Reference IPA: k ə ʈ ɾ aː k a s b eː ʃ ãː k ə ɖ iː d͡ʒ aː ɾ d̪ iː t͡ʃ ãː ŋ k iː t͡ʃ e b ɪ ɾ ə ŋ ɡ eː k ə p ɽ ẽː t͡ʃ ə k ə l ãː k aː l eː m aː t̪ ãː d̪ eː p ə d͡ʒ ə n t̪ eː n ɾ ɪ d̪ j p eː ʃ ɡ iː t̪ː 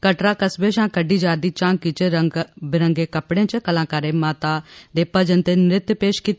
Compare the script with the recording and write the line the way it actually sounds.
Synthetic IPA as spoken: k ə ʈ ɾ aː k ə s b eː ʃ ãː k ə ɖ iː d͡ʒ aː ɾ d̪ iː t͡ʃ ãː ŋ k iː t͡ʃ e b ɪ ɾ ə ŋ ɡ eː k ə p ɽ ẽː t͡ʃ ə k ə l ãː k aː ɾ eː m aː t̪ aː d̪ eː p ə d͡ʒ ə n t̪ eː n ɾ ɪ t̪ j p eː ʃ k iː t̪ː